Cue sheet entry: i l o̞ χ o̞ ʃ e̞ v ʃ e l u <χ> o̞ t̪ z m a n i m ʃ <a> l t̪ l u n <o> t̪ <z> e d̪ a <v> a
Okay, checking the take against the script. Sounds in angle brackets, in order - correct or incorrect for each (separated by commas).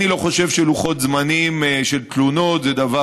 correct, incorrect, correct, correct, correct